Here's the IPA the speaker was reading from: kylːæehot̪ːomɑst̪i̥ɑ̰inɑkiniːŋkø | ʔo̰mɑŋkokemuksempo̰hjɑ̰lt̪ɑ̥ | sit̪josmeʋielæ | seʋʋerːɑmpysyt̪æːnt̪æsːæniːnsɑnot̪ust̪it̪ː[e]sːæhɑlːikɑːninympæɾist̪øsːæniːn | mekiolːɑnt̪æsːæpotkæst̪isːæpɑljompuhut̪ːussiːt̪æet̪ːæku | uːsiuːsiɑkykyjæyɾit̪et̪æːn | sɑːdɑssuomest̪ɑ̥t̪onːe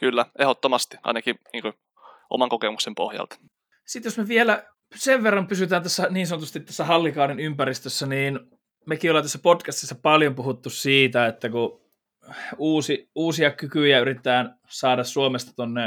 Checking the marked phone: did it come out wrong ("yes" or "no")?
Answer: yes